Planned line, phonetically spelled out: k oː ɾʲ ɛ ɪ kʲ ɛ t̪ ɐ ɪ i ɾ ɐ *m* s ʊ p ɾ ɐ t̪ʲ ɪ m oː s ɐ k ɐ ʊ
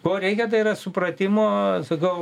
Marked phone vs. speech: incorrect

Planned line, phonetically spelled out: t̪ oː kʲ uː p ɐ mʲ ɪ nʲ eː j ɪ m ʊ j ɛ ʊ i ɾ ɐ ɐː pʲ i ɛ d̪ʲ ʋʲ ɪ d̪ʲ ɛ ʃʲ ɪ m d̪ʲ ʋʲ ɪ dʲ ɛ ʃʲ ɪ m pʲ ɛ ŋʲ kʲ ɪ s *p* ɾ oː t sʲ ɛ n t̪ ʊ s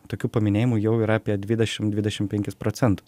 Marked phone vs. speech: correct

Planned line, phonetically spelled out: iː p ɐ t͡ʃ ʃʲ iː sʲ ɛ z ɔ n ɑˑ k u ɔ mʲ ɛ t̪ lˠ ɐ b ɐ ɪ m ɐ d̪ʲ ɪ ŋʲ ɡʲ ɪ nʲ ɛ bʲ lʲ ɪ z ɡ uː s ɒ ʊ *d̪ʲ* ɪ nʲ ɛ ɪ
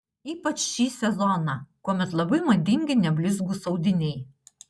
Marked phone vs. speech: correct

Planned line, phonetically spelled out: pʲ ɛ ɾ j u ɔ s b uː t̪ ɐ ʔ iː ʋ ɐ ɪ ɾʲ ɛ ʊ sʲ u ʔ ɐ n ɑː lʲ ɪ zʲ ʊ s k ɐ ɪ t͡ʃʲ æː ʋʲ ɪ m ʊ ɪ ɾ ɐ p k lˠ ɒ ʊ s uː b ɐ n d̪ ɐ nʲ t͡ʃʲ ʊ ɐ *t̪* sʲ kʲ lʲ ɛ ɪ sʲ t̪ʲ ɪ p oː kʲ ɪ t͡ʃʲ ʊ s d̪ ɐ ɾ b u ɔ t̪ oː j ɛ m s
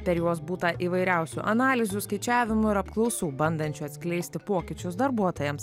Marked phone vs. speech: correct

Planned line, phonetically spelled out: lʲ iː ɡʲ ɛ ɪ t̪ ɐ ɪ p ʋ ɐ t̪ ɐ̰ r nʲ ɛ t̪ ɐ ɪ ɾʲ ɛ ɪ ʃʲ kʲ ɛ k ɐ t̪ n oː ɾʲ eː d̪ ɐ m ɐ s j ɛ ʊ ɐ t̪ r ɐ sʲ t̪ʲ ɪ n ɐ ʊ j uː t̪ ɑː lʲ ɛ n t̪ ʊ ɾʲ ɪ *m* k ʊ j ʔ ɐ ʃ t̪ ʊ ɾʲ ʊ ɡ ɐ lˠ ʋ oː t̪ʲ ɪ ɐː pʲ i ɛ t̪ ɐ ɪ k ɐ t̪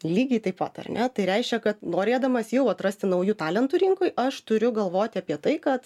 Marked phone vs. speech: incorrect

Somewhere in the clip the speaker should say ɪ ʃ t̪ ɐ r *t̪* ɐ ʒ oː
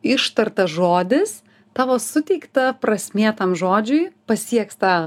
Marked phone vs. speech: correct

